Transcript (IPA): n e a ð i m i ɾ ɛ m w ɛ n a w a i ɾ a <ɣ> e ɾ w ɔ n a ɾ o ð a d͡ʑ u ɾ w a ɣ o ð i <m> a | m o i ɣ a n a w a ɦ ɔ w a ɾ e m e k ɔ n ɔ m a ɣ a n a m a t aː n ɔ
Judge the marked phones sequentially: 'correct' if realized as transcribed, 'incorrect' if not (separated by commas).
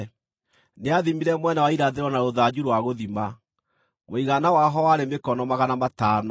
incorrect, correct